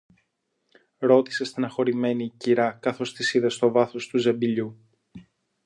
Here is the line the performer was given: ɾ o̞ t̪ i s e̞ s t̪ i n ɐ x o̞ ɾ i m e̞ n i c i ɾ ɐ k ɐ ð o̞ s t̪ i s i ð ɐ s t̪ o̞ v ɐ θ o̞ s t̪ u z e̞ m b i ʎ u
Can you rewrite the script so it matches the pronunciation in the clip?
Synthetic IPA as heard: ɾ o̞ t̪ i s e̞ s t̪ i n ɐ x o̞ ɾ i m e̞ n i c i ɾ ɐ k ɐ θ o̞ s t̪ i s i ð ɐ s t̪ o̞ v ɐ θ o̞ s t̪ u z e̞ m b i ʎ u